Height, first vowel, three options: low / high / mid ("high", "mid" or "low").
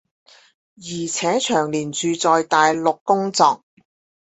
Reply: high